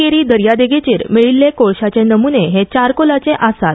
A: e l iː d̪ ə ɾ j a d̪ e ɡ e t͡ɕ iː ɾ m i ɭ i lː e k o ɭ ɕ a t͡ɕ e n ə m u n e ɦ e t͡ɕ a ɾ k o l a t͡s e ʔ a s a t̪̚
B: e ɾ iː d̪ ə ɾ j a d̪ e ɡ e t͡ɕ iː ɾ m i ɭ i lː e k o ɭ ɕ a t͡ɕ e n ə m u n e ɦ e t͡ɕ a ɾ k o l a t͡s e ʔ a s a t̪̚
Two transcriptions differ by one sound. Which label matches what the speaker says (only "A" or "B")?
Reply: B